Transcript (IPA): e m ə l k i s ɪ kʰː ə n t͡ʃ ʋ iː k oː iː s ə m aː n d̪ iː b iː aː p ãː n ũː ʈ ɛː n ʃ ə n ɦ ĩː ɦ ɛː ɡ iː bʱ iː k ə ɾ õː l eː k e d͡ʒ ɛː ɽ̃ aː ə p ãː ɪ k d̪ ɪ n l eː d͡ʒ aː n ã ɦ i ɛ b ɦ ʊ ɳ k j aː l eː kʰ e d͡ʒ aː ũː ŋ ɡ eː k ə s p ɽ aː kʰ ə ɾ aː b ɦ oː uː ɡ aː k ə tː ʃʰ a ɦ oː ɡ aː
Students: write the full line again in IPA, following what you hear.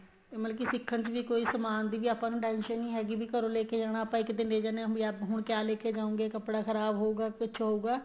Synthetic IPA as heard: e m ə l k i s ɪ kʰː ə n t͡ʃ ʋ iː k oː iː s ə m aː n d̪ iː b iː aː p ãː n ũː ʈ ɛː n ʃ ə n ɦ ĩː ɦ ɛː ɡ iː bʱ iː k ə ɾ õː l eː k e d͡ʒ aː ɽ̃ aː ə p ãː ɪ k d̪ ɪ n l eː d͡ʒ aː n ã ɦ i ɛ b ɦ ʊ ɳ k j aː l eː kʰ e d͡ʒ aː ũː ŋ ɡ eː k ə p ɽ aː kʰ ə ɾ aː b ɦ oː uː ɡ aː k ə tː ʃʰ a ɦ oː ɡ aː